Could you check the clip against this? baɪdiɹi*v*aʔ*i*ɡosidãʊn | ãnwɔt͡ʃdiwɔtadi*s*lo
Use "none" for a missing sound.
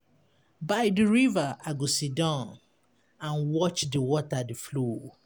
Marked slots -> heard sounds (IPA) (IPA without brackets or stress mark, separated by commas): v, a, f